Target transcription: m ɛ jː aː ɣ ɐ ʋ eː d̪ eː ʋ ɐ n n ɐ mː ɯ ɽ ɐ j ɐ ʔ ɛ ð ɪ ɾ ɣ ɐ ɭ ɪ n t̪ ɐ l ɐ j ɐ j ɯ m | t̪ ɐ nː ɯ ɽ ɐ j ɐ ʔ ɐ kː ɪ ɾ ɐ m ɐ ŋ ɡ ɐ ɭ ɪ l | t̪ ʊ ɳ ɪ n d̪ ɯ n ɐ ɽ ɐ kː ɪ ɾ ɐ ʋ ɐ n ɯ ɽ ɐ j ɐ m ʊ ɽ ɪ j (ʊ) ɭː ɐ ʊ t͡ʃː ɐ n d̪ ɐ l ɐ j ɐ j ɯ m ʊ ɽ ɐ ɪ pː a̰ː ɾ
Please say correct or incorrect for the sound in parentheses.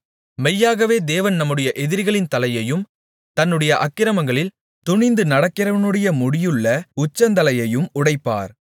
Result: incorrect